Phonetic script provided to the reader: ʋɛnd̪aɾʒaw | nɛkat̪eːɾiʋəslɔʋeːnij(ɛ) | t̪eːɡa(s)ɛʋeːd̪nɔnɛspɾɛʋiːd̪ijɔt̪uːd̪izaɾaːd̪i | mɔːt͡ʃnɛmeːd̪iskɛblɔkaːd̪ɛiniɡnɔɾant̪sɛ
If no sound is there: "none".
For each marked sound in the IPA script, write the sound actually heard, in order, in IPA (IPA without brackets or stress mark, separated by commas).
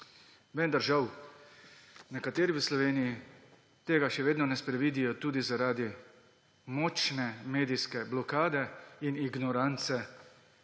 i, ʃ